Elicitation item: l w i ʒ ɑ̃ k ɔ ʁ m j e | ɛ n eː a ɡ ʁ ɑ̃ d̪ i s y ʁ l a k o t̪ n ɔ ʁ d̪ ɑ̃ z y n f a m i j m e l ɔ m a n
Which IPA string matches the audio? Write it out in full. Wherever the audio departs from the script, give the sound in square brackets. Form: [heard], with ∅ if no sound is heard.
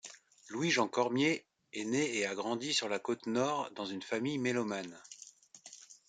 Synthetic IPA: l w i ʒ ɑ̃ k ɔ ʁ m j e | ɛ n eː a ɡ ʁ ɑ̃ d̪ i s y ʁ l a k o t̪ n ɔ ʁ d̪ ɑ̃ z y n f a m i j m e l ɔ m a n